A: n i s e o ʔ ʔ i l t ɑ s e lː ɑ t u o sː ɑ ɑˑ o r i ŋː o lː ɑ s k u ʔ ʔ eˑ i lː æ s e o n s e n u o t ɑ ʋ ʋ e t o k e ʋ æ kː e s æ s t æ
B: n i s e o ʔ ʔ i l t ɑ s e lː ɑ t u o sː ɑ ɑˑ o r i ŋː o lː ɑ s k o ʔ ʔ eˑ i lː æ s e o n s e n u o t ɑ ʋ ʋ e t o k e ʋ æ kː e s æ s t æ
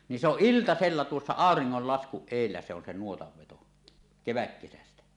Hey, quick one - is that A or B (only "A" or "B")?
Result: A